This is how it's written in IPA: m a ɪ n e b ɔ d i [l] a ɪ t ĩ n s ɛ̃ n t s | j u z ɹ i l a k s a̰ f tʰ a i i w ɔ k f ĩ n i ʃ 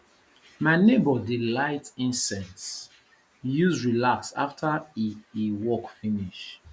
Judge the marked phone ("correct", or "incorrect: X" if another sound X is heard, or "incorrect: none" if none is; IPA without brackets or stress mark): correct